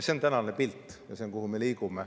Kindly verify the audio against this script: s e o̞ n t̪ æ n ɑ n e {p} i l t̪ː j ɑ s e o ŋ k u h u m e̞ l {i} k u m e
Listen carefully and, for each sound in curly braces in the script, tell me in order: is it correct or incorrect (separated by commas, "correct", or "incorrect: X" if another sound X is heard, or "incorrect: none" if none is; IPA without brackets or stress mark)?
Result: correct, incorrect: iː